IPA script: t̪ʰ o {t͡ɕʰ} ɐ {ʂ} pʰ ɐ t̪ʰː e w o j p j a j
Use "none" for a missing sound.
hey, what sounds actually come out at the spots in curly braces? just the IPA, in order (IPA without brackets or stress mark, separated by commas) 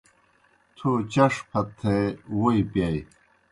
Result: t͡ɕ, ʂ